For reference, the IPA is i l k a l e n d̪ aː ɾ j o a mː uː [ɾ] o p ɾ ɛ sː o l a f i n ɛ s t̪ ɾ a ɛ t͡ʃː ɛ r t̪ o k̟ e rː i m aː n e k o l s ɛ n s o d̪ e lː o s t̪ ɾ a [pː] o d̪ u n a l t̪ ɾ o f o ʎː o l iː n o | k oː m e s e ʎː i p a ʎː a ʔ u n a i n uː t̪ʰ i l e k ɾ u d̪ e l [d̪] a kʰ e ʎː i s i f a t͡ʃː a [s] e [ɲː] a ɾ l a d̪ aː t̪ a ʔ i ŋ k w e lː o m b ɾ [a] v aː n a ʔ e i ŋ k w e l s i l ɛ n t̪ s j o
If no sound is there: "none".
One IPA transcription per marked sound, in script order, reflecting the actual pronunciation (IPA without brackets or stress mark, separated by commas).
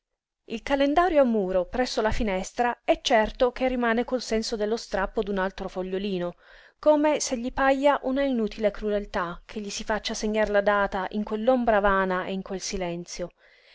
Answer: ɾ, pː, t̪, s, ɲː, a